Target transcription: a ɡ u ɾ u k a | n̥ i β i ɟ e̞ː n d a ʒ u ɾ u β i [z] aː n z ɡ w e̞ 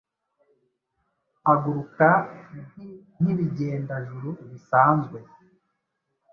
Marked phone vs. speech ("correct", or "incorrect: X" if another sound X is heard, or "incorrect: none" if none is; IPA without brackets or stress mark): incorrect: s